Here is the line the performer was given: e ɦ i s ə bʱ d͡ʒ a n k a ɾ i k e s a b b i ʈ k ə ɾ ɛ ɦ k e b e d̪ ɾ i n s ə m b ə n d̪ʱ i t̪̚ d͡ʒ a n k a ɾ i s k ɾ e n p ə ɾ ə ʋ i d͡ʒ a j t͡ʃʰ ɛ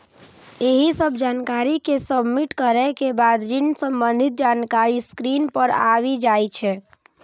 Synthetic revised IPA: e ɦ i s ə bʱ d͡ʒ a n k a ɾ i k e s ə b m i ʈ k ə ɾ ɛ k e b a d̪ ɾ i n s ə m b ə n d̪ʱ i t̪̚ d͡ʒ a n k a ɾ i s k ɾ i n p ə ɾ a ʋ i d͡ʒ a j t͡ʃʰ ɛ